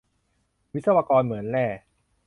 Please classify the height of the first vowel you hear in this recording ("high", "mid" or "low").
high